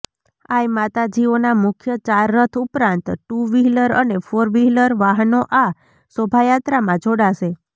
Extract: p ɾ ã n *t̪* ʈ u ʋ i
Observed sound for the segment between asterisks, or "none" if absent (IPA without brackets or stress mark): t̪